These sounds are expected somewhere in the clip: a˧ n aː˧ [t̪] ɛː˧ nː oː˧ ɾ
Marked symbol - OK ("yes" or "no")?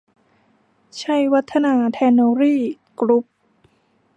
no